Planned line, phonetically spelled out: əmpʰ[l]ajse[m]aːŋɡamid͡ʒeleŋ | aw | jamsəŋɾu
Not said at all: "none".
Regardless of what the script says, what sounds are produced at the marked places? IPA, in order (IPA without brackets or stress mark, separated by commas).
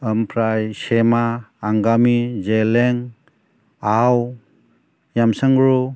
ɾ, m